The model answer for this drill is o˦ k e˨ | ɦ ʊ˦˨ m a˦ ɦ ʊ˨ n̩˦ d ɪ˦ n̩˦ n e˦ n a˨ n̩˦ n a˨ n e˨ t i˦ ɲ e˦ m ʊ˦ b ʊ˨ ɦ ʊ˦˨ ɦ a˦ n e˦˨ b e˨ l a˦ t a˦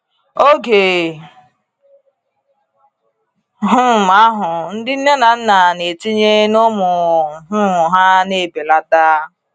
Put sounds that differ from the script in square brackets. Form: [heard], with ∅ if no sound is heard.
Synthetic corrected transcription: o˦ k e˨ | ɦ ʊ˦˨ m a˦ ɦ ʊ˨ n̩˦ d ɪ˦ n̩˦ n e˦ n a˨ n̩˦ n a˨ n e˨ t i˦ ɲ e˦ [n] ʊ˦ [m] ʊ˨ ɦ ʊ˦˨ ɦ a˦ n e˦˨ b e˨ l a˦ t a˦